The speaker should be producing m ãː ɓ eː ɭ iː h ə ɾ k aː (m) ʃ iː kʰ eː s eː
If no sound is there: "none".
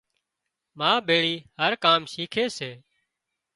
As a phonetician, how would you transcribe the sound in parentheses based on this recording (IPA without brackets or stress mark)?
m